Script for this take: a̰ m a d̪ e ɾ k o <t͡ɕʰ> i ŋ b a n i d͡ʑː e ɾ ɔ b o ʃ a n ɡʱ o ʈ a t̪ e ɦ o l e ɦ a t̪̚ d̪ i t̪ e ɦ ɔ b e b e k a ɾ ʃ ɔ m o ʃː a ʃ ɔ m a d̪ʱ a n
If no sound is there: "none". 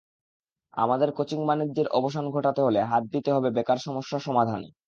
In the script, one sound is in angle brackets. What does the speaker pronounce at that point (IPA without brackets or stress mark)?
t͡ɕ